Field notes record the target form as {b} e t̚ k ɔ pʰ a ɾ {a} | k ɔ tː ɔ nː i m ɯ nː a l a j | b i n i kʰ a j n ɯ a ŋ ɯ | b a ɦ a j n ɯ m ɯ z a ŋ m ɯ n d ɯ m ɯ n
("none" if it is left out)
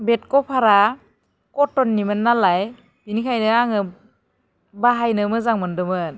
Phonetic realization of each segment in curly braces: b, a

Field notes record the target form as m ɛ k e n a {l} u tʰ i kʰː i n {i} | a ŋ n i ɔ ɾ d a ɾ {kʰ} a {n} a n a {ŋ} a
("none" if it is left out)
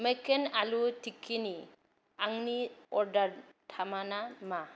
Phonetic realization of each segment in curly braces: l, i, tʰ, m, m

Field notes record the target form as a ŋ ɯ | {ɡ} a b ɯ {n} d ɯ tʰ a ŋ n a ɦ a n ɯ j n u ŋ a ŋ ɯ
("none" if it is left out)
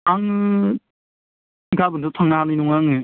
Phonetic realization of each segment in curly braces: ɡ, n

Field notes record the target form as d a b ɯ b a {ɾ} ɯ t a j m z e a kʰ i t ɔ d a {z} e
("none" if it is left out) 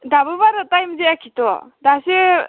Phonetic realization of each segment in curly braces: ɾ, s

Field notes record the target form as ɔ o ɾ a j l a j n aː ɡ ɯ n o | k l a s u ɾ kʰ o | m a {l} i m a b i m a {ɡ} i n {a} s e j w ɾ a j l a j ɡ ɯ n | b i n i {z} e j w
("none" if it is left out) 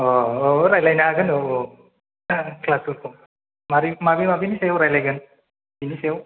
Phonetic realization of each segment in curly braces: ɾ, b, i, s

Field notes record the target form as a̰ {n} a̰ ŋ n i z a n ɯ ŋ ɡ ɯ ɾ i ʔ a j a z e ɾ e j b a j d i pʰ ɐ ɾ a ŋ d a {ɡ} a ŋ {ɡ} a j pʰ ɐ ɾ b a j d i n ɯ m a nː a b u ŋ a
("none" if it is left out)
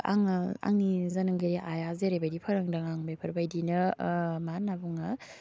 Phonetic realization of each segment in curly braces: ŋ, ŋ, b

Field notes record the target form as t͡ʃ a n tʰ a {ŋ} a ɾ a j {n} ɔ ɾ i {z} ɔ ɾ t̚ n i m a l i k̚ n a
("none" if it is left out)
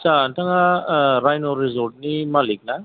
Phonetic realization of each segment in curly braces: ŋ, n, z

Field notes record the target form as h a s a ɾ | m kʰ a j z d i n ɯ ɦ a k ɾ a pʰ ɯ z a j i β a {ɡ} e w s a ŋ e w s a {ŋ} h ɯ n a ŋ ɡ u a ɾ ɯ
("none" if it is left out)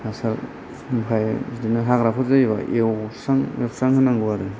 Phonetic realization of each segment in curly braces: none, ŋ

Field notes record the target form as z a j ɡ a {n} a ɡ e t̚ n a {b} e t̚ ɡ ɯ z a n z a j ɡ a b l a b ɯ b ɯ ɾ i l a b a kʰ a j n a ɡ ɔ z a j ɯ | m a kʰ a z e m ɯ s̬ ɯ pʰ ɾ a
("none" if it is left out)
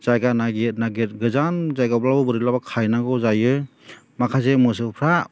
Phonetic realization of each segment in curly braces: n, ɡ

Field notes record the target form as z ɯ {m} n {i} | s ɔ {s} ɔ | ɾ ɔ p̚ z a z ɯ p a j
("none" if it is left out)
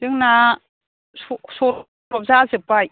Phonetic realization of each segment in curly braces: ŋ, a, s

